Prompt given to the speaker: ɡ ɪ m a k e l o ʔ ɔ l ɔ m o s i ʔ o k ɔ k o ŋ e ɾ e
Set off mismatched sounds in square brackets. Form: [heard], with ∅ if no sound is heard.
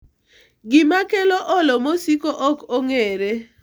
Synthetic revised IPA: ɡ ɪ m a k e l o ʔ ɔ l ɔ m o s i [k] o [ʔ] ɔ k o ŋ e ɾ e